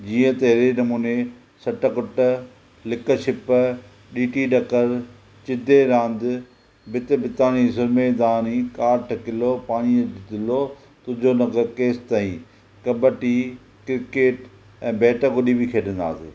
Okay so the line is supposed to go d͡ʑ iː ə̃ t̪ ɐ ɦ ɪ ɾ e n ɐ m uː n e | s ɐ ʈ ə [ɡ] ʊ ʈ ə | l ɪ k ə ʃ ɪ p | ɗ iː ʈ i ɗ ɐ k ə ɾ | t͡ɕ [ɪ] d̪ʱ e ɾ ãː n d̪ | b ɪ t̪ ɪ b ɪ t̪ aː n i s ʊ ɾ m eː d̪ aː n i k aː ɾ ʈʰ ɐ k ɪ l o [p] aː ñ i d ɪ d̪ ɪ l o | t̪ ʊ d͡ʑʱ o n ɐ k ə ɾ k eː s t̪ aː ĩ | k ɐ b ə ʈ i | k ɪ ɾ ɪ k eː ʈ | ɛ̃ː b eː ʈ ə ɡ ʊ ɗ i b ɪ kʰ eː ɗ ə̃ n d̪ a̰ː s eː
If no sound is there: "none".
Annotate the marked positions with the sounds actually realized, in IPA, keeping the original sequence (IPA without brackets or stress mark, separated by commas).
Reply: k, ɪ, p